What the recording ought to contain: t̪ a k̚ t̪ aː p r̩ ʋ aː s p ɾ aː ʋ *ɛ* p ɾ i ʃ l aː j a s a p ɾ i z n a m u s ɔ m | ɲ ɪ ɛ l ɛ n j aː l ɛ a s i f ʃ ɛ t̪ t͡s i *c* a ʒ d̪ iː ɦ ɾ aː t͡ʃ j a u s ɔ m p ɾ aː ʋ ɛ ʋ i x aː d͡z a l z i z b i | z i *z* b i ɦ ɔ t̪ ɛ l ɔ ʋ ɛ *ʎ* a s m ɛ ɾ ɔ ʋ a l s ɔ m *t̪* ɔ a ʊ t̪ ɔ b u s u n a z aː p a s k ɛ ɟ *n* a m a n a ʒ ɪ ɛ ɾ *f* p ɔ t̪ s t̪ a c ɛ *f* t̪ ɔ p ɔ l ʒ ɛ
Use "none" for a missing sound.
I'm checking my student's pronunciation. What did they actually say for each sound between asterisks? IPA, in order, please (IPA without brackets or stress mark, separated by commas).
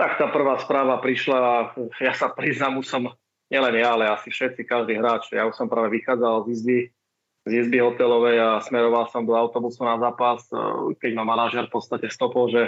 a, k, z, j, d̪, m, f, s